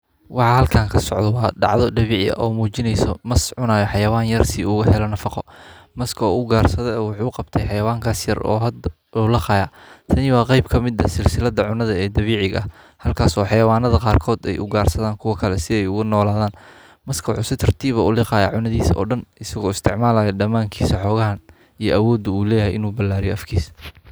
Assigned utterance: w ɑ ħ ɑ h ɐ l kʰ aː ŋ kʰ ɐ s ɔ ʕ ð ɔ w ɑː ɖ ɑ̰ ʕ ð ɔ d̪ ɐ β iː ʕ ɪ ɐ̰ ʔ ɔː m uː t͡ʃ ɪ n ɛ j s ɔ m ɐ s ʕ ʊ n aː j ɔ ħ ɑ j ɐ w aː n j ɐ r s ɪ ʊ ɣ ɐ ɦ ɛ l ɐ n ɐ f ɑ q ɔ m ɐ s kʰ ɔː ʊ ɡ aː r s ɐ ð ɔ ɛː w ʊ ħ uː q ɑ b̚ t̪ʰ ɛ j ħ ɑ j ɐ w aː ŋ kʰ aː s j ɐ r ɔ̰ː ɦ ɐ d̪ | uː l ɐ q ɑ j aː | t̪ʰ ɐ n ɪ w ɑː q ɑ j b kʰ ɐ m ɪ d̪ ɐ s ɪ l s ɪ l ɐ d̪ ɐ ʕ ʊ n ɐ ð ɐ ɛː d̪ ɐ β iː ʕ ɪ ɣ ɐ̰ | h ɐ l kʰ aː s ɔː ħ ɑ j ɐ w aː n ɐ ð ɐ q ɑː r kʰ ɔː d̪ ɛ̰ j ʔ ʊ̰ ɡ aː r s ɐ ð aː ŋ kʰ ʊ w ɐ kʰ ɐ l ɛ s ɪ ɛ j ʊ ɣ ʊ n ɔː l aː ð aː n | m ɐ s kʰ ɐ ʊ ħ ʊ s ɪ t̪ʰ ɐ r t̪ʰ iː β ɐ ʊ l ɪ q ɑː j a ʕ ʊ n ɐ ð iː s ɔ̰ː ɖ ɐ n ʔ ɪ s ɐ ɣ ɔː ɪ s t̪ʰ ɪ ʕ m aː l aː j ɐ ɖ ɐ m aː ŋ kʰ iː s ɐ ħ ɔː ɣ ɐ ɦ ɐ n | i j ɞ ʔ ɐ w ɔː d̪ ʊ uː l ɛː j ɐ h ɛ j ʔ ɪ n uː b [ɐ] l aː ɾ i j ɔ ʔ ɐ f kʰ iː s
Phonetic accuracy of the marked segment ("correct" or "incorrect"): correct